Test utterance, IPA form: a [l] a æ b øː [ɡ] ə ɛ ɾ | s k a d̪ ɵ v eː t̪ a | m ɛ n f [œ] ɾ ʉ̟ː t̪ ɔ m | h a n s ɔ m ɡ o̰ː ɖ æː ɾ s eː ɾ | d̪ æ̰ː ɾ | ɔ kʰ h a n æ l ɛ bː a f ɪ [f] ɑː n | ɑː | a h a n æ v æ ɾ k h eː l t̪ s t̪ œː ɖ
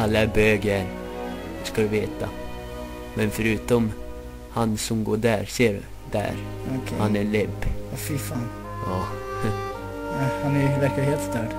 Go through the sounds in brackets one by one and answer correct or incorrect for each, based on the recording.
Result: incorrect, correct, correct, correct

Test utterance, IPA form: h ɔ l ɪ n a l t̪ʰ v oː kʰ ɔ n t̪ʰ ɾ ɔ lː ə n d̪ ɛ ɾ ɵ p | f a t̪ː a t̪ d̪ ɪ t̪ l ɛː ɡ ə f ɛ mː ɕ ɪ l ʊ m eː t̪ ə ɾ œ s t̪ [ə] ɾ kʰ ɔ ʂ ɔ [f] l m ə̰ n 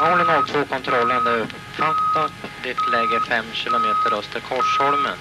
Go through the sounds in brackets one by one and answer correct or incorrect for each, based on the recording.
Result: correct, incorrect

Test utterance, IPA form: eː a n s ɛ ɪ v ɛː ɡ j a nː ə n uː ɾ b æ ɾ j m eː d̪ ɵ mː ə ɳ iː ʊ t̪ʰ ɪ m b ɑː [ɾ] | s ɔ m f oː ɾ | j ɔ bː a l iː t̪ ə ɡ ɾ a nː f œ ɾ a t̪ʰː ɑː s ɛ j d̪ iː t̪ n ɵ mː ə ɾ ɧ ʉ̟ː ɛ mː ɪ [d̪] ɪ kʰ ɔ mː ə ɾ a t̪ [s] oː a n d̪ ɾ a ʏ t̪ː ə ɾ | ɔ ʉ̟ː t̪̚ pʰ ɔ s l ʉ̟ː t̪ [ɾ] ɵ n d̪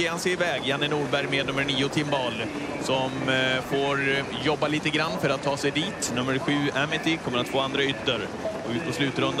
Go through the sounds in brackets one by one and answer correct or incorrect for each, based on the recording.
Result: incorrect, incorrect, incorrect, correct

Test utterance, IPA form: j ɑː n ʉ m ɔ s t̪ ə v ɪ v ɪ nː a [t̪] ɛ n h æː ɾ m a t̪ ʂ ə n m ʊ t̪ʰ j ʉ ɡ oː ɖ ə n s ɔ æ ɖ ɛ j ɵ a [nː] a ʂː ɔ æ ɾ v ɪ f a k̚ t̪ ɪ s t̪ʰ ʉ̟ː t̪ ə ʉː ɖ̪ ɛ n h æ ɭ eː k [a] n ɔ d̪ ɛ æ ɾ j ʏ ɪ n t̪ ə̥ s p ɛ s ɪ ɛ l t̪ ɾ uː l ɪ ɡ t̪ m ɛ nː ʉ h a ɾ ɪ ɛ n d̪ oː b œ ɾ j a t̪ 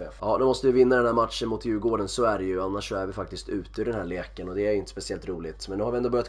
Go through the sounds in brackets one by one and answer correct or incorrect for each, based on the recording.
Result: incorrect, correct, incorrect

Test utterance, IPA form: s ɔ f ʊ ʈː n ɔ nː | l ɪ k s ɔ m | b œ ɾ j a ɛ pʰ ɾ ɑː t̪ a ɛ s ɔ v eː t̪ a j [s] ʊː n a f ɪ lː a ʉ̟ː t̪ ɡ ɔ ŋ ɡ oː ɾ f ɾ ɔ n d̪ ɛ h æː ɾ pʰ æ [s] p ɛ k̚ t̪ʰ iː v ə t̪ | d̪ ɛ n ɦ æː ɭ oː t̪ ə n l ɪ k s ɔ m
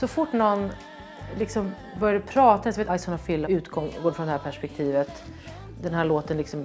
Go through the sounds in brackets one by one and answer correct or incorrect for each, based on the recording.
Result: correct, incorrect

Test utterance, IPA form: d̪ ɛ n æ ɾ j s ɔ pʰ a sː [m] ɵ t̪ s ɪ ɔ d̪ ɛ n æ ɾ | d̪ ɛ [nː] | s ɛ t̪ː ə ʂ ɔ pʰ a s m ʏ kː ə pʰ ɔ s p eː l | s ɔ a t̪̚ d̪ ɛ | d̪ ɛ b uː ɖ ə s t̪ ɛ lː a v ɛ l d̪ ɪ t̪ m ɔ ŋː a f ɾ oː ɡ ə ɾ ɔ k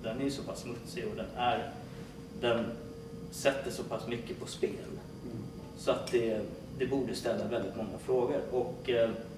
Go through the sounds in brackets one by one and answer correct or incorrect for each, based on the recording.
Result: correct, incorrect

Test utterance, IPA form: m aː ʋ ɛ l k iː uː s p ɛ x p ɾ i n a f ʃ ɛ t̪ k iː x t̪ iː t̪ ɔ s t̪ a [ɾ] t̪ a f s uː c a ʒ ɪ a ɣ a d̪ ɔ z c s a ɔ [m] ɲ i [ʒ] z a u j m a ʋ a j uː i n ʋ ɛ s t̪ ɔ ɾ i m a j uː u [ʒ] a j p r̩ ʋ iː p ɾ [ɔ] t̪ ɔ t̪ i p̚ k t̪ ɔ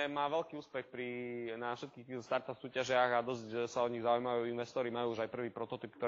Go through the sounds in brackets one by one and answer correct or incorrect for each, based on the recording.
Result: correct, incorrect, incorrect, correct, correct

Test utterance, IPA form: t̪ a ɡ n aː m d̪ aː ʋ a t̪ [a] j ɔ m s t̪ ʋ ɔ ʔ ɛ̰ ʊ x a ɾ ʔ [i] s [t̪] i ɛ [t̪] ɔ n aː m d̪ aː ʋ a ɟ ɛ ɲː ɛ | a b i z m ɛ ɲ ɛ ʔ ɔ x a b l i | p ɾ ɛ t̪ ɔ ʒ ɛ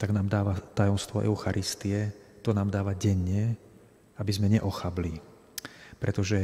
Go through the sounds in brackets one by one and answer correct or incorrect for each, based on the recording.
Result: correct, correct, correct, correct

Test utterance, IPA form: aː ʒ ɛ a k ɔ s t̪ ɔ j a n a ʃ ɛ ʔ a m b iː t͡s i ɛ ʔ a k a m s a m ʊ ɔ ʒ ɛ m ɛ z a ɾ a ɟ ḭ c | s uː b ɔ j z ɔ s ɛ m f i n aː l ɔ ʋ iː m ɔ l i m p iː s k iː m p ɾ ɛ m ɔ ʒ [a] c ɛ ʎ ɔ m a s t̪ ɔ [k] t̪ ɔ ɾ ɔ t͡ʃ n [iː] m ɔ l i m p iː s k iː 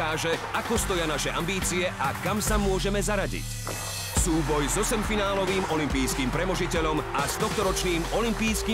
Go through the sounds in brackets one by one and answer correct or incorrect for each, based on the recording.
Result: incorrect, incorrect, correct

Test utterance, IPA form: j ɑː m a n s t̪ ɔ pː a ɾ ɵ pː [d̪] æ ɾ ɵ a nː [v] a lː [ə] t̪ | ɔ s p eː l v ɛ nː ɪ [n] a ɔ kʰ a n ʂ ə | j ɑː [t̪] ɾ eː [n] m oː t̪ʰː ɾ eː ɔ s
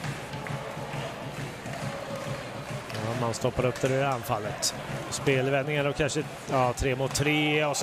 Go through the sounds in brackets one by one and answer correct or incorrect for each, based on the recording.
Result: correct, incorrect, correct, incorrect, incorrect, incorrect

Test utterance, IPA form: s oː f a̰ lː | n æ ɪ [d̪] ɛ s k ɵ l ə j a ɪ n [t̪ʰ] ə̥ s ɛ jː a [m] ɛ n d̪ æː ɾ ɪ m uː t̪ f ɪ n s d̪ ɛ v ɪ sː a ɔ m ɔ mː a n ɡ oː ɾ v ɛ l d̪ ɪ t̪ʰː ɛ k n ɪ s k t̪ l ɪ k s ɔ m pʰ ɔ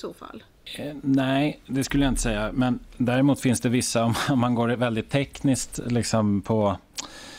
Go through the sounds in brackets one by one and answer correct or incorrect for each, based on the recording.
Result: correct, incorrect, correct

